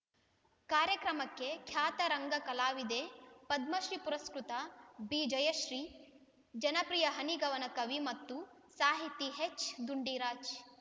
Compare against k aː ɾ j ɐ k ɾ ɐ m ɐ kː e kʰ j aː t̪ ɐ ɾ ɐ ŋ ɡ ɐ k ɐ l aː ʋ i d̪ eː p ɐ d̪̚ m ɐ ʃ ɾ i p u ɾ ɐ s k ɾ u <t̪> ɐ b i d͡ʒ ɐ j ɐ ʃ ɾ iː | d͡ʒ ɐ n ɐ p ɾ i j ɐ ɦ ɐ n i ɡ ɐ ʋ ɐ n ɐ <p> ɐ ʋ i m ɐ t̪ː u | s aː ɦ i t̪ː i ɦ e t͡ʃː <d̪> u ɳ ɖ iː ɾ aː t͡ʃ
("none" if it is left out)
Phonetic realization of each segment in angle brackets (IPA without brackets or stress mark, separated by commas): t̪, k, d̪